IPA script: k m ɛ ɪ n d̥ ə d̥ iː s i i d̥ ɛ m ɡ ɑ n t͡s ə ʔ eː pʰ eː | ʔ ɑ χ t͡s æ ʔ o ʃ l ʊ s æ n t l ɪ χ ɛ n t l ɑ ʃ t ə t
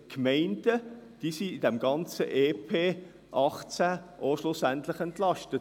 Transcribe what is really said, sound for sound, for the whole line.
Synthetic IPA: k m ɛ ɪ n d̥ ə d̥ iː s i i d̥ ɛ m ɡ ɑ n t͡s ə ʔ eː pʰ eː | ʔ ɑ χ t͡s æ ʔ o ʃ l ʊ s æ n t l ɪ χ ɛ n t l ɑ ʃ t ə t

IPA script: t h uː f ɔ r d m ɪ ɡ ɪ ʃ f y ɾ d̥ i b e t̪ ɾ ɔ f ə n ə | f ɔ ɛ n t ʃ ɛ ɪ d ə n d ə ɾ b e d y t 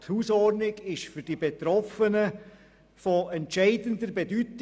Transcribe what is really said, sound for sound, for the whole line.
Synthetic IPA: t h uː s ɔ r d n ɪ ɡ ɪ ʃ f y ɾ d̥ i b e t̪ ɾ ɔ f ə n ə | f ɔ ɛ n t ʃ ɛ ɪ d ə n d ə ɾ b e d y t

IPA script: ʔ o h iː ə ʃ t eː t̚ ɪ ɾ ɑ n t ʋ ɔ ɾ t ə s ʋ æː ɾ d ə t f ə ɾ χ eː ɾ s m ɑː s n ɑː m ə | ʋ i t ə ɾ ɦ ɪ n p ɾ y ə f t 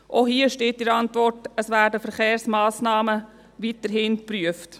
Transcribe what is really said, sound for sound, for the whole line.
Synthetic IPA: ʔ o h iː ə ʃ t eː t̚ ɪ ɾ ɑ n t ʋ ɔ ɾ t ə s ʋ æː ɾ d ə f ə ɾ χ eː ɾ s m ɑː s n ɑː m ə | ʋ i t ə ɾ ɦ ɪ n p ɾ y ə f t

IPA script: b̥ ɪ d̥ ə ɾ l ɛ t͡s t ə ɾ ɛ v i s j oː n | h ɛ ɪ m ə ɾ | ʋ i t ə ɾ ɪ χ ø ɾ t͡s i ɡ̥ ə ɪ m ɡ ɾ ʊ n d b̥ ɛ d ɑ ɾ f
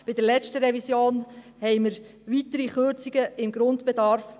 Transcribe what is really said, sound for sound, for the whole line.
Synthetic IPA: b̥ ɪ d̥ ə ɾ l ɛ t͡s t ə ɾ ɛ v i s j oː n | h ɛ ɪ m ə ɾ | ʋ i t ə ɾ i χ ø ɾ t͡s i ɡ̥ ə ɪ m ɡ ɾ ʊ n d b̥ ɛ d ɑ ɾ f

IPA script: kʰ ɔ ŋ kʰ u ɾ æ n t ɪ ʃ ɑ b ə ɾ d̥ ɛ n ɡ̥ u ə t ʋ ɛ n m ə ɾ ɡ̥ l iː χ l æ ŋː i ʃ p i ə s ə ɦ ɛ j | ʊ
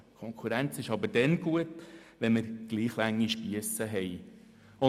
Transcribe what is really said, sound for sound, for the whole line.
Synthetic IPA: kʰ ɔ ŋ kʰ u ɾ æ n t͡s ɪ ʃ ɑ b ə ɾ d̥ ɛ n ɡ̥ u ə t ʋ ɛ n m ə ɾ ɡ̥ l iː χ l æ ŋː i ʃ p i ə s ə ɦ ɛ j | ʊ

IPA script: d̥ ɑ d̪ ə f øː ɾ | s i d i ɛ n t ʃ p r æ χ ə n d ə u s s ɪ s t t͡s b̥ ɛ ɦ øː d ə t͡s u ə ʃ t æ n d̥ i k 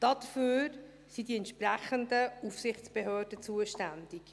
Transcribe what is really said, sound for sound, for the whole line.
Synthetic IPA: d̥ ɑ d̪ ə f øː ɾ | s i d i ɛ n t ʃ p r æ χ ə n d ə u f s ɪ χ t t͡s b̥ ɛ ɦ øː d ə t͡s u ə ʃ t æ n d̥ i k

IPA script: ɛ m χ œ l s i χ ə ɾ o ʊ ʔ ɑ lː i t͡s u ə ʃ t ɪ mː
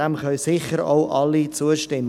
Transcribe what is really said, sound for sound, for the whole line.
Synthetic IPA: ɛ m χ œ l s ɪ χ ə ɾ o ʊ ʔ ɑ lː i t͡s u ə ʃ t ɪ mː

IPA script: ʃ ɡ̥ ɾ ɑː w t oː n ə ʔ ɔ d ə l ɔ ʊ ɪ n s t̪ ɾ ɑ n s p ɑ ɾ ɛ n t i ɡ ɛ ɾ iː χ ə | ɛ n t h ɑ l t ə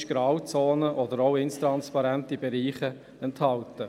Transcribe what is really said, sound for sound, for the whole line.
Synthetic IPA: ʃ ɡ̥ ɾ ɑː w t͡s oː n ə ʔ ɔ d ə ɾ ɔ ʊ ɪ n s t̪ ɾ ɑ n s p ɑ ɾ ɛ n t i b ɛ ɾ iː χ ə | ɛ n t h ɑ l t ə

